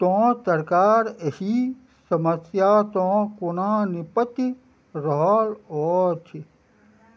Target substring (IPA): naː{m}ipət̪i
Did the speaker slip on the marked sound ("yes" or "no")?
yes